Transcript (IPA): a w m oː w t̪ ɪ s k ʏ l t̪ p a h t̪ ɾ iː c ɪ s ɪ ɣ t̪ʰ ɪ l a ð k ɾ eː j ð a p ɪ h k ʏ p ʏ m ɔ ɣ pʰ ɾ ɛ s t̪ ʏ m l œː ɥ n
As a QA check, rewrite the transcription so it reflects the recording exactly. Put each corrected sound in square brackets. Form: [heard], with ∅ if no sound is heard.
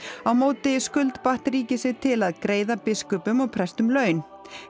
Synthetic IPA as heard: a w m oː w t̪ ɪ s k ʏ l t̪ p a h t̪ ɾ iː c ɪ s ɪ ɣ t̪ʰ ɪ l a ð k ɾ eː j ð a p ɪ [s] k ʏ p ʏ m ɔ ɣ pʰ ɾ ɛ s t̪ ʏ m l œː ɥ n